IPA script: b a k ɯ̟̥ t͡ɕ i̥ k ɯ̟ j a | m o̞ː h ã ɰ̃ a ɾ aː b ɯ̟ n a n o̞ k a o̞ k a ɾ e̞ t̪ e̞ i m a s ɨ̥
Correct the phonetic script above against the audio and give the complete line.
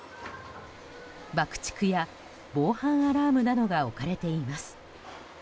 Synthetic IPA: b a k ɯ̟̥ t͡ɕ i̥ k ɯ̟ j a | b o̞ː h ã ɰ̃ a ɾ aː m ɯ̟ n a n o̞ ɡ a o̞ k a ɾ e̞ t̪ e̞ i m a s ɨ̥

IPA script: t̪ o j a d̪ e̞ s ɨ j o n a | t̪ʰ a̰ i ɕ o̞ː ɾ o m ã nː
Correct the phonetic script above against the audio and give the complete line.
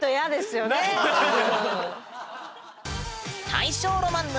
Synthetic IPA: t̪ o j a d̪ e̞ s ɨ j o n e | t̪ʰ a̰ i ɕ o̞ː ɾ o m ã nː

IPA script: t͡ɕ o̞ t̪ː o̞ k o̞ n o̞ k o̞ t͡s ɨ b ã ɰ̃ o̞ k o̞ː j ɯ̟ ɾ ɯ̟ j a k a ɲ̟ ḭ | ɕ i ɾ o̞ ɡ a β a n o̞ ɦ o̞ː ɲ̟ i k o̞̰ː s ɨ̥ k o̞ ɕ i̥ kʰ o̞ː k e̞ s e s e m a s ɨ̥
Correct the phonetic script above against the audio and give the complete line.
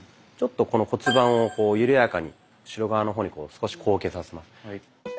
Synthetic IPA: t͡ɕ o̞ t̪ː o̞ k o̞ n o̞ k o̞ t͡s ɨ b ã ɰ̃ o̞ k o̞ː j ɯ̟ ɾ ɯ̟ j a k a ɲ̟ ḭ | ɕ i ɾ o̞ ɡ a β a n o̞ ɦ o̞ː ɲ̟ i k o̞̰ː s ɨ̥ k o̞ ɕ i̥ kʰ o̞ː k e̞ s a s e m a s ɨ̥

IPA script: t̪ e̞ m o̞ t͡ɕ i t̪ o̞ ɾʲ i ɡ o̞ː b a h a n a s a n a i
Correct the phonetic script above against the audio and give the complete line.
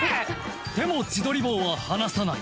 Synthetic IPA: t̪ e̞ m o̞ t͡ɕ i d̪ o̞ ɾʲ i b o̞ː β a h a n a s a n a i

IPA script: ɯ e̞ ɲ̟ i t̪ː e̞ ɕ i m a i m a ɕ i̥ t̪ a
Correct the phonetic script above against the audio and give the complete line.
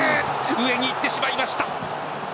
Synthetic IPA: ɯ e̞ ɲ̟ iː t̪ː e̞ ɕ i m a i m a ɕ i̥ t̪ a

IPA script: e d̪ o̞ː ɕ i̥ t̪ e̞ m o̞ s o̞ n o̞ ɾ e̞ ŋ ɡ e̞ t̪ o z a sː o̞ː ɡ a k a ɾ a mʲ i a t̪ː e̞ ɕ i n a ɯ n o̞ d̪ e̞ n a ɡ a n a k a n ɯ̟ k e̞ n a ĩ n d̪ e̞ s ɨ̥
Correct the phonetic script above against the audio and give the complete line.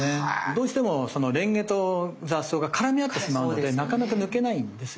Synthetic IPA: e d̪ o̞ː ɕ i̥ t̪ e̞ m o̞ s o̞ n o̞ ɾ ẽ̞ ŋ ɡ e̞ t̪ o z a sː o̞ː ɡ a k a ɾ a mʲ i a t̪ː e̞ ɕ i m a ɯ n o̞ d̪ e̞ n a k a n a k a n ɯ̟ k e̞ n a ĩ n d̪ e̞ s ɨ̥

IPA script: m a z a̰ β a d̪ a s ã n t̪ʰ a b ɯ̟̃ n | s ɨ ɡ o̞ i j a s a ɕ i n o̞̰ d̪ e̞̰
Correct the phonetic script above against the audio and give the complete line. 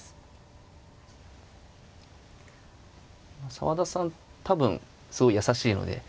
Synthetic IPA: m a s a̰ β a d̪ a s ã n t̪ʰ a b ɯ̟̃ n | s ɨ ɡ o̞ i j a s a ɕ iː n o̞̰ d̪ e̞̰

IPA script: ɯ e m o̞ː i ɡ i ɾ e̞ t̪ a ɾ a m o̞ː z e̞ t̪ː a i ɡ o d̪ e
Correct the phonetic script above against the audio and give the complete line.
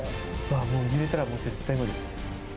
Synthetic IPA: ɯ a m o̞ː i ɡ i ɾ e̞ t̪ a ɾ a m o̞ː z e̞ t̪ː a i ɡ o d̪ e

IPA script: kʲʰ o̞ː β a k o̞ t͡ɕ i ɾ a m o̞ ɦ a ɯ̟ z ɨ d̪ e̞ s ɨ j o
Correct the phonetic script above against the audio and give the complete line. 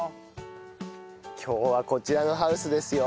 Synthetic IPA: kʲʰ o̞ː β a k o̞ t͡ɕ i ɾ a n o̞ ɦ a ɯ̟ s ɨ d̪ e̞ s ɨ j o

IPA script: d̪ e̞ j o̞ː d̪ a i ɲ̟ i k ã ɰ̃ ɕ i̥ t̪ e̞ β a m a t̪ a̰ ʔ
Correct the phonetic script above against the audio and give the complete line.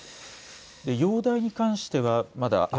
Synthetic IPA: d̪ e̞ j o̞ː d̪ a i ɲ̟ i k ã ɰ̃ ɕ i̥ t̪ e̞ β a m a d̪ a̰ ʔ

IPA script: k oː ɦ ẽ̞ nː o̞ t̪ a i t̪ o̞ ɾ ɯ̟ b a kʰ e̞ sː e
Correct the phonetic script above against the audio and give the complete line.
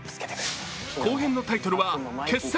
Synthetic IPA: k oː ɦ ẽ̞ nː o̞ t̪ a i t̪ o̞ ɾ ɯ̟ β a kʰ e̞ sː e

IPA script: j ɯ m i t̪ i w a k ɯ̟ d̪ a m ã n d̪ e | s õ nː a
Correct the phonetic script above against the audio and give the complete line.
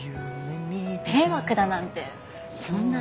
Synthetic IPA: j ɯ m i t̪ e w a k ɯ̟ d̪ a n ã n t̪ e | s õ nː a

